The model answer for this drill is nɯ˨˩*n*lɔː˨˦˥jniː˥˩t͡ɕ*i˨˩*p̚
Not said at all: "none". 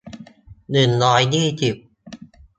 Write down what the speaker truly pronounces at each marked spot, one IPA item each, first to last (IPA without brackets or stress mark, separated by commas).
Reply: n, i˨˩